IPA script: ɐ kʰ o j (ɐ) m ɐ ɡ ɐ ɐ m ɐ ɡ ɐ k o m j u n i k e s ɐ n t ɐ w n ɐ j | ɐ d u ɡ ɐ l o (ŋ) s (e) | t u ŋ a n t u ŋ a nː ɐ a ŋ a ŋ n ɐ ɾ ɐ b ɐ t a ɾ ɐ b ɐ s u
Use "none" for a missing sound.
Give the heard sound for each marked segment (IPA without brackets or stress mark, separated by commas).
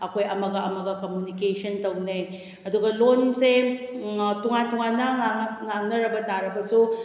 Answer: ɐ, n, e